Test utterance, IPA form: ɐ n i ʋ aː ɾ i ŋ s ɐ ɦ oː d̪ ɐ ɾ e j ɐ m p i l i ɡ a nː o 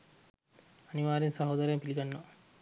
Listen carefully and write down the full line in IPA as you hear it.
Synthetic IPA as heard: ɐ n i ʋ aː ɾ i n s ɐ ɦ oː d̪ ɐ ɾ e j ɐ m p i l i ɡ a nː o